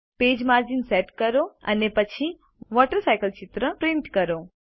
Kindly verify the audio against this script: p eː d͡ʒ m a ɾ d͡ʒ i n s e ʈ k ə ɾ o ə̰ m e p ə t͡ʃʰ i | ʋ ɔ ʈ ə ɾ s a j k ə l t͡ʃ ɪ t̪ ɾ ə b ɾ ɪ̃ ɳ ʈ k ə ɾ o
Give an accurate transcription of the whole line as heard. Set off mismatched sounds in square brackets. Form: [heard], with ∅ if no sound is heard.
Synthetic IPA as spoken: p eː d͡ʒ m a ɾ d͡ʒ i n s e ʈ k ə ɾ o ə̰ [n] e p ə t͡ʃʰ i | ʋ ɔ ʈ ə ɾ s a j k ə l t͡ʃ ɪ t̪ ɾ ə [p] ɾ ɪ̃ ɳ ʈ k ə ɾ o